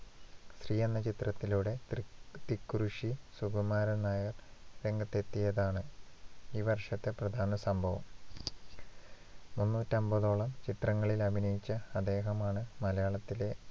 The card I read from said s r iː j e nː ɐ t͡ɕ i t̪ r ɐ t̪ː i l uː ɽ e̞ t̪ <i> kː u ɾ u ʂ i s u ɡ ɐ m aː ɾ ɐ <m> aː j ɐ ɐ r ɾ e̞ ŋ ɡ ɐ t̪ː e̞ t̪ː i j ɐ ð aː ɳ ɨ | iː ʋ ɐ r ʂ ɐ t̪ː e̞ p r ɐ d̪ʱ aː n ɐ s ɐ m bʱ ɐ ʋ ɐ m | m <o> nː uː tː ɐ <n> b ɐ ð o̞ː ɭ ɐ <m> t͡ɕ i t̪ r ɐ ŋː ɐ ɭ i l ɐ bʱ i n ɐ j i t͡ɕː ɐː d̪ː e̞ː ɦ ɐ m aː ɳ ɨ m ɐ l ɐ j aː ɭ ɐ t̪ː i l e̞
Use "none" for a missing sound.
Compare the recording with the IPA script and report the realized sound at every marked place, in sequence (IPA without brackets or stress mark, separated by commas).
i, n, u, m, m